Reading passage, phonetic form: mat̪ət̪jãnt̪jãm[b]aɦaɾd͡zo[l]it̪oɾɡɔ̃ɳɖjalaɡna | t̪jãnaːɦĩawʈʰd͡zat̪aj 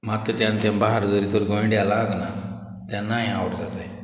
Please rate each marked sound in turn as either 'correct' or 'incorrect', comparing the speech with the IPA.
correct, incorrect: ɾ

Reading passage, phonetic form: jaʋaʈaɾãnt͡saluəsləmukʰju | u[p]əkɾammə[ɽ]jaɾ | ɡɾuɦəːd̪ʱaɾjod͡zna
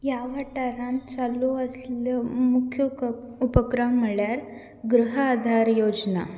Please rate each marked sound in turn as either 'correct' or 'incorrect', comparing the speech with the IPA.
correct, incorrect: ɭ

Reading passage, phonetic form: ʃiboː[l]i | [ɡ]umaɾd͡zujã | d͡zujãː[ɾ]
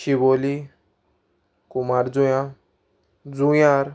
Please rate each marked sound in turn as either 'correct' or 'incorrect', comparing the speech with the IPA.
correct, incorrect: k, correct

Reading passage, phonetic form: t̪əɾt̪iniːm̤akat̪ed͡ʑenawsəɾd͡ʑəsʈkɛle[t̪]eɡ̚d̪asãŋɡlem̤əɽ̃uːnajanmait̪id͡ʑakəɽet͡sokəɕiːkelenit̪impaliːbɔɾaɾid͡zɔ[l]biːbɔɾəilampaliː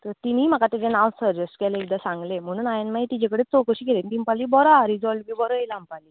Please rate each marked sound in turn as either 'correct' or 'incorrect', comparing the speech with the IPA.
incorrect: none, correct

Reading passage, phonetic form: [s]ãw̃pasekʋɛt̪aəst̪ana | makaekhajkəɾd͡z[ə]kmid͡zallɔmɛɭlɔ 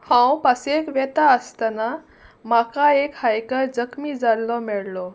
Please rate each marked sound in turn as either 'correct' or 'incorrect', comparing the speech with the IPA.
incorrect: h, correct

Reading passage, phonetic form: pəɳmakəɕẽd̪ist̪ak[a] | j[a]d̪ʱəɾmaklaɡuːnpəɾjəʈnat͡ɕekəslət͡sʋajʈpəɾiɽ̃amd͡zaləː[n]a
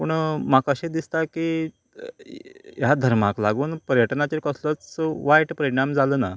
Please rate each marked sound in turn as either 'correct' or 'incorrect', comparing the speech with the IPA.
incorrect: i, correct, correct

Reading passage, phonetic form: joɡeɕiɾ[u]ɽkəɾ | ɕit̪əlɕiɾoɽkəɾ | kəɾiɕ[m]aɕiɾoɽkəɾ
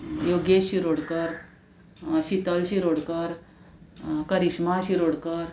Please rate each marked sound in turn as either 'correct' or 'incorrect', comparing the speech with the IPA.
incorrect: o, correct

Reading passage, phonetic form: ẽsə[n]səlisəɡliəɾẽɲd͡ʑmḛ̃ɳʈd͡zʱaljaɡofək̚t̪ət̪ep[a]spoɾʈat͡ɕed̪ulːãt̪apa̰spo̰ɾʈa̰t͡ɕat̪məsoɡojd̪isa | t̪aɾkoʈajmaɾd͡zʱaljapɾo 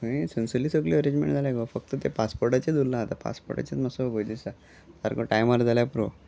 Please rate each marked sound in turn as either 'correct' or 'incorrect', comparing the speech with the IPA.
correct, correct

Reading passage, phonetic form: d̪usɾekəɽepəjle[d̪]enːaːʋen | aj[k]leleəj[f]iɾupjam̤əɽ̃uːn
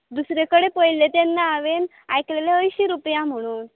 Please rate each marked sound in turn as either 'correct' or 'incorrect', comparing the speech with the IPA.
incorrect: t̪, correct, incorrect: ɕ

